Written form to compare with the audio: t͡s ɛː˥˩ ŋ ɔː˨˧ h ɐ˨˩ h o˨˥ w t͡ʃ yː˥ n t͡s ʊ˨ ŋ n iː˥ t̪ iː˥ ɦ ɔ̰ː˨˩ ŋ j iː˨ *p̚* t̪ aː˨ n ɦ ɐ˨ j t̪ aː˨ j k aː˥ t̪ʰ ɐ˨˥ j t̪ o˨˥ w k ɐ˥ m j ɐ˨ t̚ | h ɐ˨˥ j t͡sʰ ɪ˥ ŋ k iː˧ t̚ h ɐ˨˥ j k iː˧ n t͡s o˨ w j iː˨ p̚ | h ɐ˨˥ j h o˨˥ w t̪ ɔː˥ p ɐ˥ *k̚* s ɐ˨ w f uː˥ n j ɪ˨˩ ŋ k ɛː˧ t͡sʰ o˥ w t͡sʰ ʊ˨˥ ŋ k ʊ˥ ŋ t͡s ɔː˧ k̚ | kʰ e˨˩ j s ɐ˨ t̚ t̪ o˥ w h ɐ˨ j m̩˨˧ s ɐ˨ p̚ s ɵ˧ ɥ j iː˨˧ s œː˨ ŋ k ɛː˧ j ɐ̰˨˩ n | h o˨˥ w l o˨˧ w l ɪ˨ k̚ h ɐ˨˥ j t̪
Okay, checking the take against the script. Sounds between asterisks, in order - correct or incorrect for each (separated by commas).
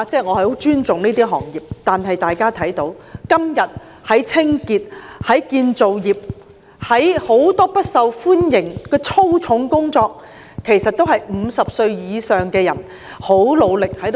correct, incorrect